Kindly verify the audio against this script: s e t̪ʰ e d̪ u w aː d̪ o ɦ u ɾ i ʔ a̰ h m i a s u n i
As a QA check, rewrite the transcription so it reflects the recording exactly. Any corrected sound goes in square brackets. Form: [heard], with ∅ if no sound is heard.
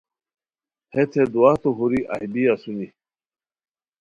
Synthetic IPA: [h] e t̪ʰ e d̪ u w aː [t̪] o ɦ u ɾ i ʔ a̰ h [b] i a s u n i